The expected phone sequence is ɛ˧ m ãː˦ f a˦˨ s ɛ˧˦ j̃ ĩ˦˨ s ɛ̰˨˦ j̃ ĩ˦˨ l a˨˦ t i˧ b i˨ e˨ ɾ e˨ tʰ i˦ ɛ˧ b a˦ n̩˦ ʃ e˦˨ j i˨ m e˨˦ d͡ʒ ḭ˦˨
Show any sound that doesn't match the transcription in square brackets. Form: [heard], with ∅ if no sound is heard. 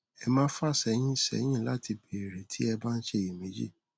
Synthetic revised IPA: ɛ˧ m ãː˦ f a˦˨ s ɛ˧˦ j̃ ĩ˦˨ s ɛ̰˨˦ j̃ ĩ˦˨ l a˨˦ t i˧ b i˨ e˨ ɾ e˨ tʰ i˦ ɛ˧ b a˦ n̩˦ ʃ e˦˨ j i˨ m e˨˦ d͡ʒ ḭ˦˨